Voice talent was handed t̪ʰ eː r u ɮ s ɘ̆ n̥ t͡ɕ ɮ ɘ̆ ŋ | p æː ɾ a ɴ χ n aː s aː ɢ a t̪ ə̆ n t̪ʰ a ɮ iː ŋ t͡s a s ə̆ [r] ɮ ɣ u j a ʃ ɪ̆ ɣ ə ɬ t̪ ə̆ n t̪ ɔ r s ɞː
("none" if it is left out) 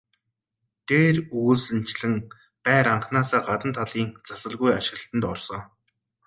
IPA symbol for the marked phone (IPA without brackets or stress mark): none